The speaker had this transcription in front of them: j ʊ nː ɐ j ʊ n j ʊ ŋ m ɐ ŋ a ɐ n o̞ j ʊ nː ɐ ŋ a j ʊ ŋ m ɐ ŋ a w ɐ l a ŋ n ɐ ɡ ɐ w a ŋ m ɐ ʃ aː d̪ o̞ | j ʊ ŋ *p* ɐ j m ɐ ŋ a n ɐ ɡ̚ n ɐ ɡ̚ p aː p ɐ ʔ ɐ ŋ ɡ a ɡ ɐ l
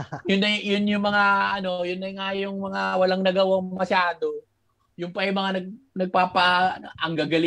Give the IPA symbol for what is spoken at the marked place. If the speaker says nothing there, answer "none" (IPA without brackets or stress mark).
p